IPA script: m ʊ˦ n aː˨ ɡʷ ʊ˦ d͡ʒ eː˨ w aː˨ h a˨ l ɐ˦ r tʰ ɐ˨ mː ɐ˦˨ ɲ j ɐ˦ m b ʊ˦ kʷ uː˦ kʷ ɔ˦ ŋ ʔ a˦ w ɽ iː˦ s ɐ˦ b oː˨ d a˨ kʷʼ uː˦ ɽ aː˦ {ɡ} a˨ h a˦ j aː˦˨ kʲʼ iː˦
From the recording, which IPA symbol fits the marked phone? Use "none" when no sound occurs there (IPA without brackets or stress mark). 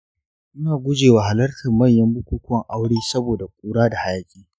d